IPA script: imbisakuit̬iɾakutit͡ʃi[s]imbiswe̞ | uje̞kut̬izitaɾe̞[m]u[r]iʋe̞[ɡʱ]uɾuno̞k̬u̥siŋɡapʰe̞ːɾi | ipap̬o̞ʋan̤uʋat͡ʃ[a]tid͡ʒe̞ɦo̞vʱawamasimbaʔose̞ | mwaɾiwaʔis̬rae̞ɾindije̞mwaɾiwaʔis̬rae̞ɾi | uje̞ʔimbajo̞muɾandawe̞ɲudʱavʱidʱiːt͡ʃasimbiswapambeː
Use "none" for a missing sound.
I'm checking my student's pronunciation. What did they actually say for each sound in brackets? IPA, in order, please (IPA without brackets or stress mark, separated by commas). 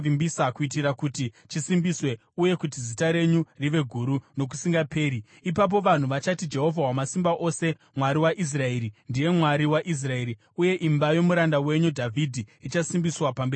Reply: s, ɲ, r, ɡʱ, a